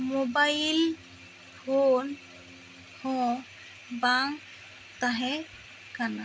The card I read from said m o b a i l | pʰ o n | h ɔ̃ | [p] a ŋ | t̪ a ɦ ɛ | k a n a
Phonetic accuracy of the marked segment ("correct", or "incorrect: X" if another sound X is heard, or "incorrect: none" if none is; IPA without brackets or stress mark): incorrect: b